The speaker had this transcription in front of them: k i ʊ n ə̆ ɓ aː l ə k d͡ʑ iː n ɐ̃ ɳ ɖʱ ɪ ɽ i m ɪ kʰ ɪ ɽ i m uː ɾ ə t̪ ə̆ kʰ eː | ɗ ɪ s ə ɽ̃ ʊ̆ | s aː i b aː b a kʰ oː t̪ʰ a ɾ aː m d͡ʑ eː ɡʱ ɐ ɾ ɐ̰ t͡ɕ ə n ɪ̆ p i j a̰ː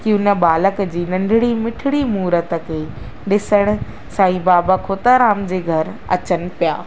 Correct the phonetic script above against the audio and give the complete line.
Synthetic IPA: k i ʊ n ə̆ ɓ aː l ə k d͡ʑ iː n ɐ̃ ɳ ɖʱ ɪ ɽ i m ɪ ʈʰ ɪ ɽ i m uː ɾ ə t̪ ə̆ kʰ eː | ɗ ɪ s ə ɽ̃ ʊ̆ | s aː i b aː b a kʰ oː t̪ a ɾ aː m d͡ʑ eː ɡʱ ɐ ɾ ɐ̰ t͡ɕ ə n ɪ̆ p i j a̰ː